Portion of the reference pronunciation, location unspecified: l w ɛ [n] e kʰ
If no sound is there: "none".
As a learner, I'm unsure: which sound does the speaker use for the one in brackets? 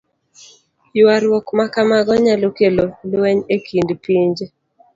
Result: ɲ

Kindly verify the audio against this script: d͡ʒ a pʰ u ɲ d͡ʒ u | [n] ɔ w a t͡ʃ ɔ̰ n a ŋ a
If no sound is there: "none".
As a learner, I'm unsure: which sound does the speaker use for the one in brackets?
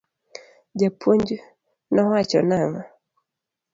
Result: n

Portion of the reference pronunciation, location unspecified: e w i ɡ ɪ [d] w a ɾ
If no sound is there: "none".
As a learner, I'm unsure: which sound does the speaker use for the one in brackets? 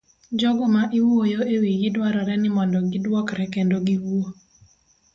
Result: d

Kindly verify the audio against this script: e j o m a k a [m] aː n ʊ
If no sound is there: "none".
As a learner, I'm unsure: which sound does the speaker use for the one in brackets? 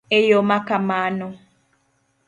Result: m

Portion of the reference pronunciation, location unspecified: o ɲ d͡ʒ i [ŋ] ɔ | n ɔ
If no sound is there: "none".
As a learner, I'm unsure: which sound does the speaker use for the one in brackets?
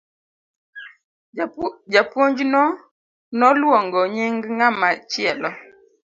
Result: n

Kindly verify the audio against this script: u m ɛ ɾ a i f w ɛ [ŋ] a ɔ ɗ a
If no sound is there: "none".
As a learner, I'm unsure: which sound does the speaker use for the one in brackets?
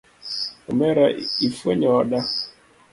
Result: ɲ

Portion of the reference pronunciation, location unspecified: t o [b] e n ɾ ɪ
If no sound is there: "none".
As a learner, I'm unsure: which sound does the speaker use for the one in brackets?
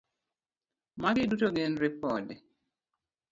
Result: ɡ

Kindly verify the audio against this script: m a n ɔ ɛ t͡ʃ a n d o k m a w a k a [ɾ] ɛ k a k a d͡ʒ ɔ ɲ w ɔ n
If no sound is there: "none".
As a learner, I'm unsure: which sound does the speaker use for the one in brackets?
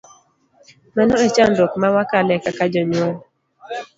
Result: l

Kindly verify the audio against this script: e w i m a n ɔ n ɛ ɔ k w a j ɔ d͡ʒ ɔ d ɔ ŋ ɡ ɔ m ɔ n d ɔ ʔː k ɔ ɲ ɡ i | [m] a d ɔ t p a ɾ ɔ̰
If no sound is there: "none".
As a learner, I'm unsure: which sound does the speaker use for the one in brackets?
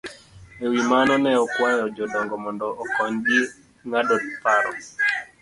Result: ŋ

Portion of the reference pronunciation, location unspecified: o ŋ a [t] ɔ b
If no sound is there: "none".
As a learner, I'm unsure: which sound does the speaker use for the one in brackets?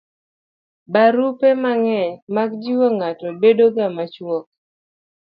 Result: t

